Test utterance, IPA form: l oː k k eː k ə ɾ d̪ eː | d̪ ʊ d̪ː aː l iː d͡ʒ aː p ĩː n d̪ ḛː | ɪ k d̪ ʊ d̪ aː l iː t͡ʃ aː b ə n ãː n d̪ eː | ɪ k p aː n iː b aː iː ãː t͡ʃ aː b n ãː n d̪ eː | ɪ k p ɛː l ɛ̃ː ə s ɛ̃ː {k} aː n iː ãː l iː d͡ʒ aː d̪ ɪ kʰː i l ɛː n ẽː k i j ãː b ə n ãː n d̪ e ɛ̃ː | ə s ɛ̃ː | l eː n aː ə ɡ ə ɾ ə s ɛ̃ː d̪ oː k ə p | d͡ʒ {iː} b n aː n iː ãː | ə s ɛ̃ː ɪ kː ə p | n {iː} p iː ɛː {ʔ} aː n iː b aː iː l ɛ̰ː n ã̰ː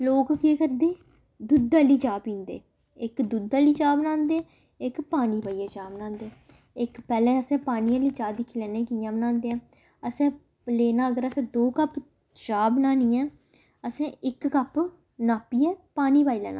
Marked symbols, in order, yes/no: no, no, no, no

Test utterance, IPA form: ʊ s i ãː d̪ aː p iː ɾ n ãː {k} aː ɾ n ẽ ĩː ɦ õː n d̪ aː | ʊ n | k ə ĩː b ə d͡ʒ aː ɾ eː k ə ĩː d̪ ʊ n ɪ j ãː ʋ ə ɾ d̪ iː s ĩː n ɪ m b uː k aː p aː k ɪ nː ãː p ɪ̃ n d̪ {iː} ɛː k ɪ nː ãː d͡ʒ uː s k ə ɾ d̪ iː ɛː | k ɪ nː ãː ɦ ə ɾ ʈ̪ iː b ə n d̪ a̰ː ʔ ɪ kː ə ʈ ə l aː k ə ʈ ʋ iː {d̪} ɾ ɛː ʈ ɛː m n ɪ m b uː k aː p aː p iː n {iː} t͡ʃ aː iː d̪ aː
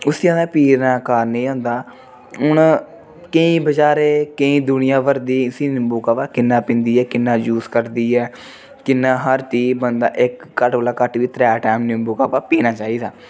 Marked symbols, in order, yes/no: yes, yes, no, no

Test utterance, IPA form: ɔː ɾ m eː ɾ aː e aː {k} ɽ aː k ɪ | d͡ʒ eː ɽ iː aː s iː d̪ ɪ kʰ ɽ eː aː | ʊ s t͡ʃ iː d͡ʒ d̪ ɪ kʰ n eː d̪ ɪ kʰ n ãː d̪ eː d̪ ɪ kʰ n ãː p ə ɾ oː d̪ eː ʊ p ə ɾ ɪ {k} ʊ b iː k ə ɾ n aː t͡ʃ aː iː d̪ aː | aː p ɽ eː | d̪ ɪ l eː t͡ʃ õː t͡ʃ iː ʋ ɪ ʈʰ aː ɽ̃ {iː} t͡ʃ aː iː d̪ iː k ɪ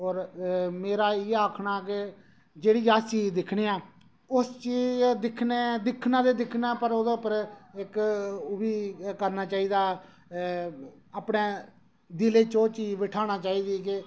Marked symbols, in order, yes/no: no, yes, no

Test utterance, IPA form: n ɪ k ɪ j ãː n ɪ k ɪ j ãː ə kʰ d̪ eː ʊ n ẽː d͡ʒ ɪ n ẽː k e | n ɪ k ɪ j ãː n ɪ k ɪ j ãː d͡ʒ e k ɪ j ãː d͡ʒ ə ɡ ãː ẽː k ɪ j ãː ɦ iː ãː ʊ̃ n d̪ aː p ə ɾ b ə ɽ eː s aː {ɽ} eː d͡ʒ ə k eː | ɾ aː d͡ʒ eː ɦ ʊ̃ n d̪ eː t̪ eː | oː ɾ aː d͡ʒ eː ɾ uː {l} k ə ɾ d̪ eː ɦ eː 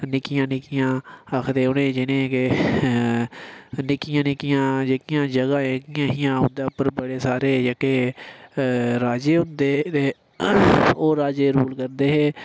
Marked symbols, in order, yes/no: no, yes

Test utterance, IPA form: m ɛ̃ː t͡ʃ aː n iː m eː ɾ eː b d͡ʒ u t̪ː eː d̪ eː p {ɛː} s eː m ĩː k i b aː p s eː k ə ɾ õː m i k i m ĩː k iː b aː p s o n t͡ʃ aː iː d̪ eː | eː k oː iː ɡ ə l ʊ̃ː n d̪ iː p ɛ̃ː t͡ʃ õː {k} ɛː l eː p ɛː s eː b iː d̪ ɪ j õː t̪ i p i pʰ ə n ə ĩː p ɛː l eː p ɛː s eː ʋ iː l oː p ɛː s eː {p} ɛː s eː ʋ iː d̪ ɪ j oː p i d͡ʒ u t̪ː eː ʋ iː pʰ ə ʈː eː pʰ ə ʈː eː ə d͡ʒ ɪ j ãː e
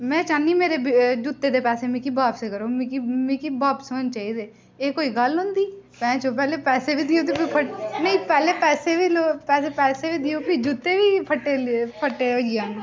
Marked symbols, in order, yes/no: yes, no, yes

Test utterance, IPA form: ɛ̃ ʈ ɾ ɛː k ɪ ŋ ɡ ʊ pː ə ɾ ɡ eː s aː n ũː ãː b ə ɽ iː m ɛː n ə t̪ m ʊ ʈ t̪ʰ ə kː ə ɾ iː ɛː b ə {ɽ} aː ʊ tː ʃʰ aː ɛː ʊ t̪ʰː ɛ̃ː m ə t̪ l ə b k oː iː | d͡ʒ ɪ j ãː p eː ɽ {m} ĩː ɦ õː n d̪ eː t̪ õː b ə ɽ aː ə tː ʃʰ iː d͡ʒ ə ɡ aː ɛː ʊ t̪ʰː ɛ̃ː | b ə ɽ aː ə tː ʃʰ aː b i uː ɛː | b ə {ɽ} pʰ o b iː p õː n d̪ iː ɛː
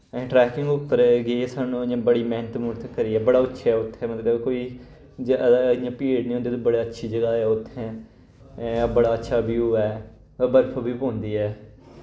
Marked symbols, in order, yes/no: yes, no, no

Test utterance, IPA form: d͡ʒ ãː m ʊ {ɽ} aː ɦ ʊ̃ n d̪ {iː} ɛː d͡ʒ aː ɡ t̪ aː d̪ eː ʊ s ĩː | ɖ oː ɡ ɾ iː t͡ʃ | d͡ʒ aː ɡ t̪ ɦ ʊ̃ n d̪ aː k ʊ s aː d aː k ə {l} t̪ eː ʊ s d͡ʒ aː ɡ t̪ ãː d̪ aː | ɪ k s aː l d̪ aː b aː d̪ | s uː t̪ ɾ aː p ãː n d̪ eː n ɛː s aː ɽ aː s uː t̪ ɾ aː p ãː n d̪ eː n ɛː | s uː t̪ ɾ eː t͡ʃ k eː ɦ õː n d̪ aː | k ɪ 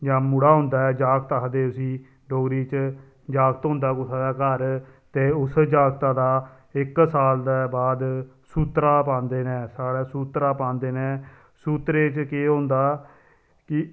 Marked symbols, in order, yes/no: yes, no, no

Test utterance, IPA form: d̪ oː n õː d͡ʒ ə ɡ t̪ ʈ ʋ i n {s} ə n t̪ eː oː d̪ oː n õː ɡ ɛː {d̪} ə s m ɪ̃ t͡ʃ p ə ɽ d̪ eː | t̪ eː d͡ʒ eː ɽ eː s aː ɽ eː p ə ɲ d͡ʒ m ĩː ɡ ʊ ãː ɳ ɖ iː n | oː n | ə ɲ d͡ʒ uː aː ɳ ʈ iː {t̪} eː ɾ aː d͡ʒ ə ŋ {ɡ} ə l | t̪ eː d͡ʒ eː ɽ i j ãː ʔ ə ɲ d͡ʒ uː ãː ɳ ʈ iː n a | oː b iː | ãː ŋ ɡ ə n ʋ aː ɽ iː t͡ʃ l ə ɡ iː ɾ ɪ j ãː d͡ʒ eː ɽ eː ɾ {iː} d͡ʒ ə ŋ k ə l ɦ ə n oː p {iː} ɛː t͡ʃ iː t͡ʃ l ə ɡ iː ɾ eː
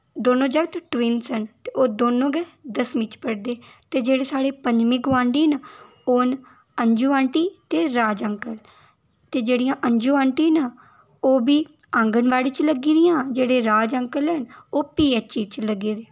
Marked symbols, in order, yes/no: yes, yes, yes, no, no, yes

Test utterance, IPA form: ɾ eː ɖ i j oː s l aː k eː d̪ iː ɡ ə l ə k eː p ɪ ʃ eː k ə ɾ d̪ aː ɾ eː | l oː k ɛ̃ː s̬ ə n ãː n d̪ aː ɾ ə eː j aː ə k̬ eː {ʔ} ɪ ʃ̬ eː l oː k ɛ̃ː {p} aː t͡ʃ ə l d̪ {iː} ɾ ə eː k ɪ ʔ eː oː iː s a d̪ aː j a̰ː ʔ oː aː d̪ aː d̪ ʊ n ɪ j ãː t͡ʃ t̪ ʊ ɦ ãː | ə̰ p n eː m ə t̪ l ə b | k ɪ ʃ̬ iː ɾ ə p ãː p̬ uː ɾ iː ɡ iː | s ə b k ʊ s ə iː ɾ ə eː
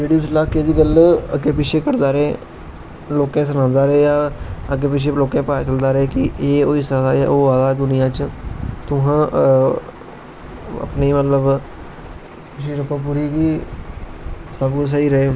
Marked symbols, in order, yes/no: no, yes, no

